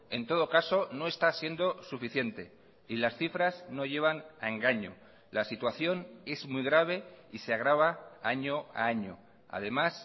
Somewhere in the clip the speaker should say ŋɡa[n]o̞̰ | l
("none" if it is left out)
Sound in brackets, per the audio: ɲ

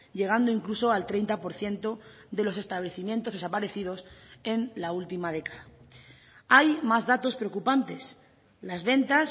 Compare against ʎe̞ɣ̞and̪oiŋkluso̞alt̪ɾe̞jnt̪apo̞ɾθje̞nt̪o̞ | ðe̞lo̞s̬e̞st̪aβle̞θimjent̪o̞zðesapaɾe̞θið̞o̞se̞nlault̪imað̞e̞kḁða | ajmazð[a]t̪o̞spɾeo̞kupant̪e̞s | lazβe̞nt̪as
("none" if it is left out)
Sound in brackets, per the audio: a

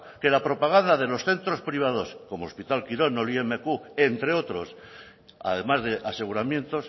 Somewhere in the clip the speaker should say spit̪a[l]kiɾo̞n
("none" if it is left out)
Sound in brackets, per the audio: l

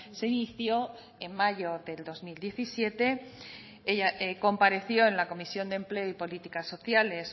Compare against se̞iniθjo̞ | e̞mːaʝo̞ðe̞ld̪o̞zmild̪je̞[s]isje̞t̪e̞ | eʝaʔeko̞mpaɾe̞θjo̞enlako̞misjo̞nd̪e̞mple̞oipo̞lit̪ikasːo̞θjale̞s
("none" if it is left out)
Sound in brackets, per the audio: θ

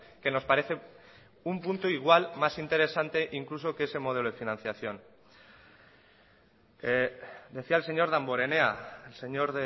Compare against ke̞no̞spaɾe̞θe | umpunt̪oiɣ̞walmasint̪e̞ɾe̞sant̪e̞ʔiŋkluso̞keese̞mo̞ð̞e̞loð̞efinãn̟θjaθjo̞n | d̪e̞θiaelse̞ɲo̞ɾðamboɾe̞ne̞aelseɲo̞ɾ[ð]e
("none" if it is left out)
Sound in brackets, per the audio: ð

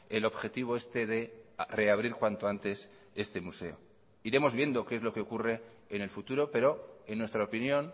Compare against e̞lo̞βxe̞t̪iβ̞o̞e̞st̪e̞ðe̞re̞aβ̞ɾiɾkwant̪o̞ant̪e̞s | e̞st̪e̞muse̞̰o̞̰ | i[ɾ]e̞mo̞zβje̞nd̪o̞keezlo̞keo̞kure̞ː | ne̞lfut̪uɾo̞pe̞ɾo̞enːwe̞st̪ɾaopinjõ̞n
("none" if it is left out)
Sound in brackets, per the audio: ɾ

